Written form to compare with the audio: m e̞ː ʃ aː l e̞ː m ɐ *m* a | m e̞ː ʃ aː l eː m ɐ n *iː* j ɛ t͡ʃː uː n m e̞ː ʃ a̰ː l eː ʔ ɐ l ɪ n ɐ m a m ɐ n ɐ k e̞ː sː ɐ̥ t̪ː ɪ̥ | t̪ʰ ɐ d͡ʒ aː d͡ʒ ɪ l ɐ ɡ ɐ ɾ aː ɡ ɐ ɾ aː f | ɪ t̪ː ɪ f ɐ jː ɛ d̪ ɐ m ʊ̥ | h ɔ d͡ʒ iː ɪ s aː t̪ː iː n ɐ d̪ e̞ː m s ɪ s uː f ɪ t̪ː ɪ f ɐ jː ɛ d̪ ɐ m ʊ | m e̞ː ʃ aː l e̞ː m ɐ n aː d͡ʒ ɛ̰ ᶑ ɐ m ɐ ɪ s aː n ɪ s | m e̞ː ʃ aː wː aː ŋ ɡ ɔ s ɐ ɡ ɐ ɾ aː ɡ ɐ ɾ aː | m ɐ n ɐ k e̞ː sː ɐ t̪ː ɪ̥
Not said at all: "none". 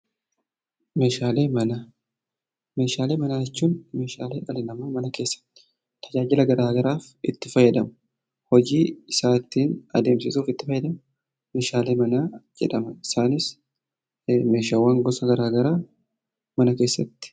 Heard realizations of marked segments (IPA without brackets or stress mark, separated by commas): n, aː